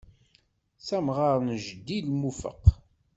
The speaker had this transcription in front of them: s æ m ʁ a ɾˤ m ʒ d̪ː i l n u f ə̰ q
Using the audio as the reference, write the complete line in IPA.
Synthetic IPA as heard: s æ m ʁ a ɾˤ n ʒ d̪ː i l m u f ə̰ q